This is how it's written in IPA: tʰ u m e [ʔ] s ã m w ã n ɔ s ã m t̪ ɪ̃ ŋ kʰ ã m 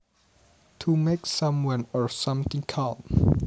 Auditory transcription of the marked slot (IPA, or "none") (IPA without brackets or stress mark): k